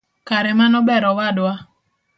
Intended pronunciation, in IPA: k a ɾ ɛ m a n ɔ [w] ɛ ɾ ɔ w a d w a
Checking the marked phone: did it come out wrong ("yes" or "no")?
yes